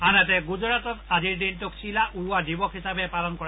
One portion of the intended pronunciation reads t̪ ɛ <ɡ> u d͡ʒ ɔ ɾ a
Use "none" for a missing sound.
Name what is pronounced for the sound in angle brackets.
ɡ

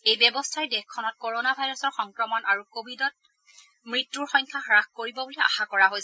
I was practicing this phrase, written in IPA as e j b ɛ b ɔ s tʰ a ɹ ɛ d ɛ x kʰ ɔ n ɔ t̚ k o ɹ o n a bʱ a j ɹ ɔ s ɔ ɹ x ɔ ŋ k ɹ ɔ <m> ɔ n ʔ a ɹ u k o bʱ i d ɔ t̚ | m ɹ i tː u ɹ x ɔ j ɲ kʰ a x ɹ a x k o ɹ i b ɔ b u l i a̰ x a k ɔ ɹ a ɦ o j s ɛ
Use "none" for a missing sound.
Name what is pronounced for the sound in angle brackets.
m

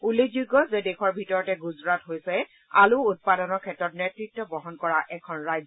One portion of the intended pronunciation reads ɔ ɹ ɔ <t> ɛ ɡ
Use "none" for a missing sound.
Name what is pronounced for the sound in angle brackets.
t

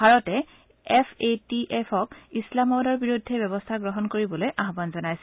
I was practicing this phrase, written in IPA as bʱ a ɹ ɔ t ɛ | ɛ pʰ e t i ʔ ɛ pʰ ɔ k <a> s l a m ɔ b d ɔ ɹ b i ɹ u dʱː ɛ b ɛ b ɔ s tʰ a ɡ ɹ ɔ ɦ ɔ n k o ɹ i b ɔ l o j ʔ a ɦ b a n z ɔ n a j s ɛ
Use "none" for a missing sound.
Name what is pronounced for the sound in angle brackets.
i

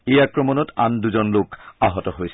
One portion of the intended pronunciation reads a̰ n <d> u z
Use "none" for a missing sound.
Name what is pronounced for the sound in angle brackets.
d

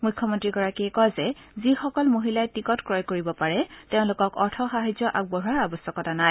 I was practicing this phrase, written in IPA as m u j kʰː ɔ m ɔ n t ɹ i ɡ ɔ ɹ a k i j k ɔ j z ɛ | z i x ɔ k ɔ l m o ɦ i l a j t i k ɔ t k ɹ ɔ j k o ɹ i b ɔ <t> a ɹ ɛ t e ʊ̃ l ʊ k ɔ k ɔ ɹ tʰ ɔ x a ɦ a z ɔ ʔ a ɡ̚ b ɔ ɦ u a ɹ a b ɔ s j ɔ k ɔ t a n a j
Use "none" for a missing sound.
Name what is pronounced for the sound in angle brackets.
p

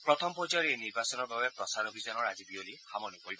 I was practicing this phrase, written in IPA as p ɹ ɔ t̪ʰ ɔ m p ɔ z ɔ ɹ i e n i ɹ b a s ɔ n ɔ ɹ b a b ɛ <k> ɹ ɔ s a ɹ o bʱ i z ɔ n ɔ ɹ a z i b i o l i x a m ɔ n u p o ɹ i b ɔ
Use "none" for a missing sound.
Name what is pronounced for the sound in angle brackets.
p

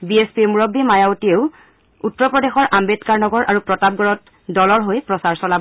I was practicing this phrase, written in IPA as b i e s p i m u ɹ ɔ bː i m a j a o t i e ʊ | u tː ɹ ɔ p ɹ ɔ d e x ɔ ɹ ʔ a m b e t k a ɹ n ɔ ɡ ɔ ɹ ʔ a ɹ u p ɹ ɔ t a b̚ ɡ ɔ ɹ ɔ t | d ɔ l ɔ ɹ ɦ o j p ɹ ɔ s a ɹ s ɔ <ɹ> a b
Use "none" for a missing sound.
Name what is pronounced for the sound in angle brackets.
l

